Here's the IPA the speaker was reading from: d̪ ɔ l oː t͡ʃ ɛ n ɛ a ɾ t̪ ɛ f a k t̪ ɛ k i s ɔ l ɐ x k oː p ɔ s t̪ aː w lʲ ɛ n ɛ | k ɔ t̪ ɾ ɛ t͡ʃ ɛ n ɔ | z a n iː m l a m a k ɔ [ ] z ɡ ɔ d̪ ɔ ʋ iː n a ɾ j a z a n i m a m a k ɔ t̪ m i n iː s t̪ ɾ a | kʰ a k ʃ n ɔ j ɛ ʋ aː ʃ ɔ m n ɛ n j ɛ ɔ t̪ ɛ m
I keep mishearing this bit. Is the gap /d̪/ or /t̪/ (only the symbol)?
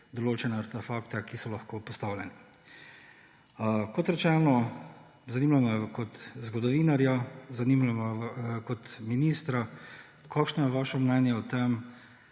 t̪